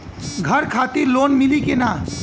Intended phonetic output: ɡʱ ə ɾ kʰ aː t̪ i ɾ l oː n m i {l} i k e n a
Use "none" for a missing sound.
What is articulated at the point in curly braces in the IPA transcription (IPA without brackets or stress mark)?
l